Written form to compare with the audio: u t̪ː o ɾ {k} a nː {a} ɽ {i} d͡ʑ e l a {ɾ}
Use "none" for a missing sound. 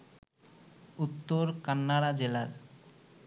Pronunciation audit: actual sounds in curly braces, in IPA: k, a, a, ɾ

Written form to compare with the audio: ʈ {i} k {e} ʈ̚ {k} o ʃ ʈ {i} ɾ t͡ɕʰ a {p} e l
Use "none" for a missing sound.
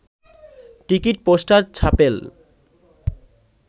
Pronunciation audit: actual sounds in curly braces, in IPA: i, i, p, a, p

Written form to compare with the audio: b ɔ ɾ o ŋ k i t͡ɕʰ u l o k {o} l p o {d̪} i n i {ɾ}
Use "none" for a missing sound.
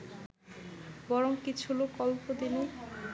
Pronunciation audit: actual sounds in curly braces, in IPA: ɔ, d̪, none

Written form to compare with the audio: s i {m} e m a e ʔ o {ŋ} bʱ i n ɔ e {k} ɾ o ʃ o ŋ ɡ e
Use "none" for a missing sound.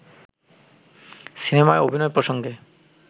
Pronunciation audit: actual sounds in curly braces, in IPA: n, none, p

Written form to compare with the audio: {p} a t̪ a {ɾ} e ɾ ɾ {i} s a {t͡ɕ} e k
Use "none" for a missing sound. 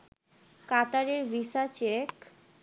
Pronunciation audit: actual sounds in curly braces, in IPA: k, ɾ, i, t͡ɕ

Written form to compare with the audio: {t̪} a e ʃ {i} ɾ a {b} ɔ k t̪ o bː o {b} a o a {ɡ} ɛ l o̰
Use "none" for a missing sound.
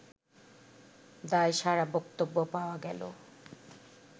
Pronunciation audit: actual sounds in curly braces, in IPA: d̪, a, b, p, ɡ

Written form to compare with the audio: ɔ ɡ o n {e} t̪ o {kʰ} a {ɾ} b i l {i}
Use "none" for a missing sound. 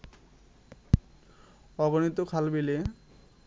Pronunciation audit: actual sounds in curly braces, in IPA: i, kʰ, l, e

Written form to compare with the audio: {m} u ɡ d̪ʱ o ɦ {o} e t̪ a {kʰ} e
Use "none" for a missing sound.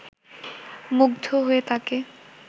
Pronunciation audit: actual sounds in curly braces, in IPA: m, o, k

